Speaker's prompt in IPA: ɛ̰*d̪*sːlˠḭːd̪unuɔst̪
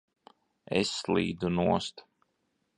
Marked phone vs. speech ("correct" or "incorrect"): incorrect